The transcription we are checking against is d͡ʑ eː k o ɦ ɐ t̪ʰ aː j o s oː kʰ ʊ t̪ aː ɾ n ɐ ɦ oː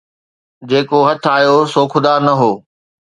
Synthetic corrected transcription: d͡ʑ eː k o ɦ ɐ t̪ʰ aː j o s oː kʰ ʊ d̪ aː ɾ n ɐ ɦ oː